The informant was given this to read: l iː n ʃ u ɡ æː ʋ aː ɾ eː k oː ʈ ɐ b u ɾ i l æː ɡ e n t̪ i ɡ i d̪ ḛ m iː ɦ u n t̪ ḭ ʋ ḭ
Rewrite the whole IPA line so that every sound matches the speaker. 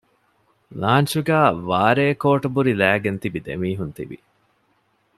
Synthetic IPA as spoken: l aː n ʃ u ɡ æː ʋ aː ɾ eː k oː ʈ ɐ b u ɾ i l æː ɡ e n t̪ i b i d̪ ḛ m iː ɦ u n t̪ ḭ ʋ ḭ